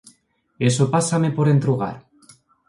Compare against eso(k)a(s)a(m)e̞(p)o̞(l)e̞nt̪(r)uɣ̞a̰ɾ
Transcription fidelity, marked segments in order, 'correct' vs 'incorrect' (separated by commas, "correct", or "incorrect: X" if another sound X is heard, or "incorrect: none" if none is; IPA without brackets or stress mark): incorrect: p, correct, correct, correct, incorrect: ɾ, incorrect: ɾ